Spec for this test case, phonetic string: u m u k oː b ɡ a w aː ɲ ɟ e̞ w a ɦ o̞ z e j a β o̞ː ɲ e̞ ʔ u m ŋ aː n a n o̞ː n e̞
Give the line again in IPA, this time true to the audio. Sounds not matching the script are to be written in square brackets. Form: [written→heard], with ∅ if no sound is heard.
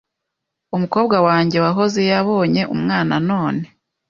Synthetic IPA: u m u k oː b ɡ a w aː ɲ ɟ e̞ w a ɦ o̞ z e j a β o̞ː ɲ e̞ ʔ u m ŋ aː n a n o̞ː n e̞